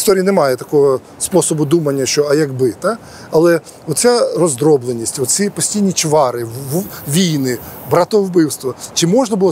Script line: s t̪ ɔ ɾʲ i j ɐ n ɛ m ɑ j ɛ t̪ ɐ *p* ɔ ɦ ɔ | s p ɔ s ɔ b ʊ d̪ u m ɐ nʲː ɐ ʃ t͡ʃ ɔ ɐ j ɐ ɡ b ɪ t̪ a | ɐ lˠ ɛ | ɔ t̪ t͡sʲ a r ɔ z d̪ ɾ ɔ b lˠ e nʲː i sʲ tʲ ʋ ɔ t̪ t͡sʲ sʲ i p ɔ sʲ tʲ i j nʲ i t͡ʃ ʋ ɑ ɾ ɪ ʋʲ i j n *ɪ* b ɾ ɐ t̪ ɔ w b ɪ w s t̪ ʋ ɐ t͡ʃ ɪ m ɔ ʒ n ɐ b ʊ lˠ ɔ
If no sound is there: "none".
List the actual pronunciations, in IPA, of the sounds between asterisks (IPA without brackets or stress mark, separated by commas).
k, ɪ